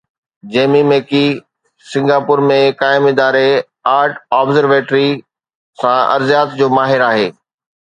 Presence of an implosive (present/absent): absent